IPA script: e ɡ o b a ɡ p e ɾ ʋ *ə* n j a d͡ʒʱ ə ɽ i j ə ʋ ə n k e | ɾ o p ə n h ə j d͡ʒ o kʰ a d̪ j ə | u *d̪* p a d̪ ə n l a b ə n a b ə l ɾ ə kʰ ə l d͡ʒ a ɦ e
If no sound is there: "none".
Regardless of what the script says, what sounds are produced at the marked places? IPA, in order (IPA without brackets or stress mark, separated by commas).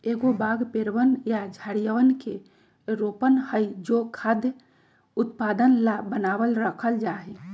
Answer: ə, t̪